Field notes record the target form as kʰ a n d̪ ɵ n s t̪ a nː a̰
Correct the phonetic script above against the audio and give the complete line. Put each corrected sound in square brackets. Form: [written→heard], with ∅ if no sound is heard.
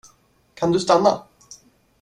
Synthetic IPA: kʰ a n d̪ ɵ [n→∅] s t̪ a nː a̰